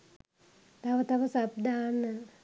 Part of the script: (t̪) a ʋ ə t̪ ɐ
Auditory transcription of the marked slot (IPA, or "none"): t̪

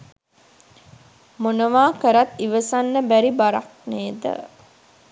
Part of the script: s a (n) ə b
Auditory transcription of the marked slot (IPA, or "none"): nː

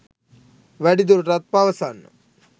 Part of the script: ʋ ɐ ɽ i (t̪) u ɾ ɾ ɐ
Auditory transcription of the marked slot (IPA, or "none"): d̪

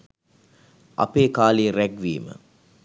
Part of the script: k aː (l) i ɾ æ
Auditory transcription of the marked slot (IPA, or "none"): l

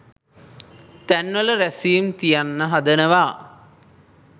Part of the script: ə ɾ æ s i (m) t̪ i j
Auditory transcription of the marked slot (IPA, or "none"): m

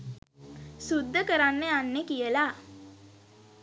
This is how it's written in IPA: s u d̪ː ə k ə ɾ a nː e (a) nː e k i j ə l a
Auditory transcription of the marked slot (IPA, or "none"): a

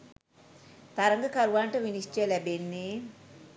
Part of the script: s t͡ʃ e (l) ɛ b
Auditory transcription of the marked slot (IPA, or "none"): l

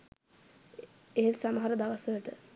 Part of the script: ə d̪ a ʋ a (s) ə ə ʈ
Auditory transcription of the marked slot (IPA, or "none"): s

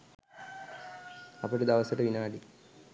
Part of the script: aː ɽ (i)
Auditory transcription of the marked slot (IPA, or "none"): i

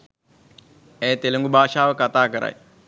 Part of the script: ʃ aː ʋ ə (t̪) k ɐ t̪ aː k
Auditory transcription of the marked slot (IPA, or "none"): none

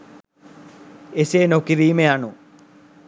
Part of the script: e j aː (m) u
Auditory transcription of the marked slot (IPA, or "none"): ɳ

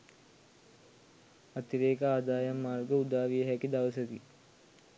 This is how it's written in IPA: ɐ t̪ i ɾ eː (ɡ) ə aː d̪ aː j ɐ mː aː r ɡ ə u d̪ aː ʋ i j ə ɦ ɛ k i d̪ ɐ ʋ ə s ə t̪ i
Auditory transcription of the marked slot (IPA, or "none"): k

